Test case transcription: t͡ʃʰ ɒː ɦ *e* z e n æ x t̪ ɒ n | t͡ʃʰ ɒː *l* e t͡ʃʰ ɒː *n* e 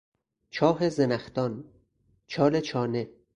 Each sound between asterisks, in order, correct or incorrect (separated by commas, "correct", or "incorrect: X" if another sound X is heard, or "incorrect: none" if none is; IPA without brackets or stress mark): correct, correct, correct